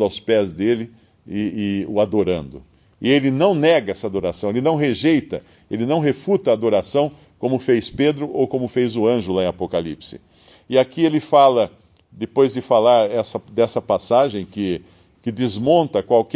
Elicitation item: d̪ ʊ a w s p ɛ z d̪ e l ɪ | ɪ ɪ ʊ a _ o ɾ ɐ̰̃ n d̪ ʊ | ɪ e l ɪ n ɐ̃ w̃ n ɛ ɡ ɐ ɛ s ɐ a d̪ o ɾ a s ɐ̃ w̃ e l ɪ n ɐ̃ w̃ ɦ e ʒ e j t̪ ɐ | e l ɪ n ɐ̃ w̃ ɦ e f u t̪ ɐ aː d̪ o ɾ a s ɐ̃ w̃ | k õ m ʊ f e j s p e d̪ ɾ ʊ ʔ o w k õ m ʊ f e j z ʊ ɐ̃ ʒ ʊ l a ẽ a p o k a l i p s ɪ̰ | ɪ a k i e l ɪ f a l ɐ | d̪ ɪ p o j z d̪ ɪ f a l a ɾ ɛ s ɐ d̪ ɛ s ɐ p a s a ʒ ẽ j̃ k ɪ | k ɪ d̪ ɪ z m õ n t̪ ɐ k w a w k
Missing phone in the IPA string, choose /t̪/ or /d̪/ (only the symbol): d̪